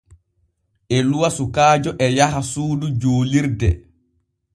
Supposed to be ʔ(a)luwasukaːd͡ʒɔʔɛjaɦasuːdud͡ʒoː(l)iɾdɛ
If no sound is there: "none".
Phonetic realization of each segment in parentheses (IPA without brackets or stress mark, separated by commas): ɛ, l